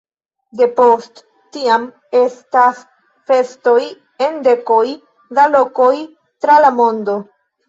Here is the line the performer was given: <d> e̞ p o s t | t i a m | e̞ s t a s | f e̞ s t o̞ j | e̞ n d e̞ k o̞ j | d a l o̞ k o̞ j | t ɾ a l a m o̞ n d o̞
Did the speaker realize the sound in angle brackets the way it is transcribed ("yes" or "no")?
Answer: yes